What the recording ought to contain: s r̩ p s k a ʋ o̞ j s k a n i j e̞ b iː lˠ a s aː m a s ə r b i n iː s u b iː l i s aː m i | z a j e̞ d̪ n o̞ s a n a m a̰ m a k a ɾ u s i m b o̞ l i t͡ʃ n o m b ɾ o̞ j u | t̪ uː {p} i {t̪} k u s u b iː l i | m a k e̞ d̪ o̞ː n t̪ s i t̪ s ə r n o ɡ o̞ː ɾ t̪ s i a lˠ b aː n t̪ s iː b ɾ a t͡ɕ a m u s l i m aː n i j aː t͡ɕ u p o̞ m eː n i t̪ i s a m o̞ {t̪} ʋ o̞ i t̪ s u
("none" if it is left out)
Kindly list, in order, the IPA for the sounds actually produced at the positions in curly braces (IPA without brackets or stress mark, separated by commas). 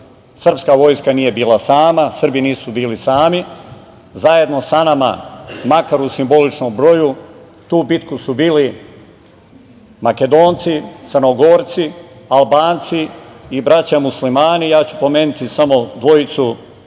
b, t̪, d̪